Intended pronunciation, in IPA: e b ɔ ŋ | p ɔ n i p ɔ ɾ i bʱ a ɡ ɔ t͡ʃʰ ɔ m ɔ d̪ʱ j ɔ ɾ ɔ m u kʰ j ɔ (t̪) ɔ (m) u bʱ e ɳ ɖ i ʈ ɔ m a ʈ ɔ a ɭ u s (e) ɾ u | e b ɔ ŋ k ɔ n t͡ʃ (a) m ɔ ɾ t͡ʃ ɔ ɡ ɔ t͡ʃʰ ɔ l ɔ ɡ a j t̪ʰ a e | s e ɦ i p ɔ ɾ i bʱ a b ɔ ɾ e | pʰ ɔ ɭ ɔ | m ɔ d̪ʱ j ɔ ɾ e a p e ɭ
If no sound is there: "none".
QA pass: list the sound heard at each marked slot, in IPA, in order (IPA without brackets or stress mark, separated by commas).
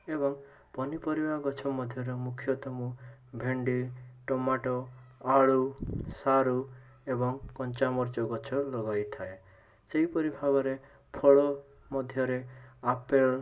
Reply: t̪, m, a, a